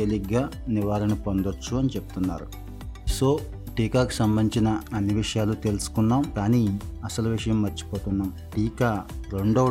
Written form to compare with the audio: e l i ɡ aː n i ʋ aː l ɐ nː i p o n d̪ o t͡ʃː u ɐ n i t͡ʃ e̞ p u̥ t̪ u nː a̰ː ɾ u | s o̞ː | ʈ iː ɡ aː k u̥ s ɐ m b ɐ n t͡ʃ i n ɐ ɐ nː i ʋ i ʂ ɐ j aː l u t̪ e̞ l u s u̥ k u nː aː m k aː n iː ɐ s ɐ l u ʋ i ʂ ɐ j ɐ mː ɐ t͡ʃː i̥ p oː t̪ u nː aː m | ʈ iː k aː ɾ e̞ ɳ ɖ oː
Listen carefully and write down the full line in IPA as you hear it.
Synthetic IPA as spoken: e l i ɡ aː n i ʋ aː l ɐ n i p o n d̪ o t͡ʃː u ɐ n i t͡ʃ e̞ p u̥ t̪ u nː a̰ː ɾ u | s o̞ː | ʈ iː k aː k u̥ s ɐ m b ɐ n t͡ʃ i n ɐ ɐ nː i ʋ i ʂ ɐ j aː l u t̪ e̞ l u s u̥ k u nː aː m k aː n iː ɐ s ɐ l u ʋ i ʂ ɐ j ɐ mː ɐ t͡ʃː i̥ p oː t̪ u nː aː m | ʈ iː k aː ɾ e̞ ɳ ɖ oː